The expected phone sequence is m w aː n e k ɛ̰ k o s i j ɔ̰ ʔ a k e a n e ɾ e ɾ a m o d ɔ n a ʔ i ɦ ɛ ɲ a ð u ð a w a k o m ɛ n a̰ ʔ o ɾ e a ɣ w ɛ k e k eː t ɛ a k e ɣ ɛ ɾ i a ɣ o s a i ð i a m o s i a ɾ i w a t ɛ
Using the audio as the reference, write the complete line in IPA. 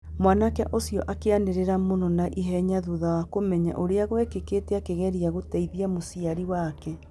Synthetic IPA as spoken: m w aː n a k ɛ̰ ʔ o s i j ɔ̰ ʔ a k e a n e ɾ e ɾ a m o n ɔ n a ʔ i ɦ ɛ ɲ a ð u ð a w a k o m ɛ ɲ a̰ ʔ o ɾ e a ɣ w ɛ k e k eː t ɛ a k e ɣ ɛ ɾ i a ɣ o t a i ð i a m o s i a ɾ i w a k ɛ